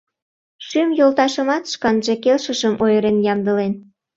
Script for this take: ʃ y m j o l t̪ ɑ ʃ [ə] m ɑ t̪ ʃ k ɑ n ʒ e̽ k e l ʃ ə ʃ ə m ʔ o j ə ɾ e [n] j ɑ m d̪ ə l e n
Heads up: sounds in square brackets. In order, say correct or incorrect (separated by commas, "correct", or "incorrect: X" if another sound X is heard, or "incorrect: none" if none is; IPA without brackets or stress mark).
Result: correct, correct